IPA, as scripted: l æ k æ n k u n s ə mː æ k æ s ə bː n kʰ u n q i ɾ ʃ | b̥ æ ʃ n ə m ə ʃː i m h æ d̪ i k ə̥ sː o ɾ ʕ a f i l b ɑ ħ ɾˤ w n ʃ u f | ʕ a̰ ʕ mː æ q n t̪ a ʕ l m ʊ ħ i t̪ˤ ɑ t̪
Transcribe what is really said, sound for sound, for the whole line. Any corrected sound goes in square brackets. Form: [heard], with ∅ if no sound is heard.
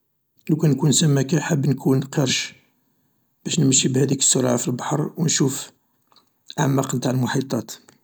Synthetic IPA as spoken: l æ k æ n k u n s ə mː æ k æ [ħ] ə bː n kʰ u n q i ɾ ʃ | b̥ æ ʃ n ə m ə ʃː i [b] h æ d̪ i k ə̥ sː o ɾ ʕ a f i l b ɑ ħ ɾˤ w n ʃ u f | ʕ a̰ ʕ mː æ q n t̪ a ʕ l m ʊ ħ i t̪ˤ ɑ t̪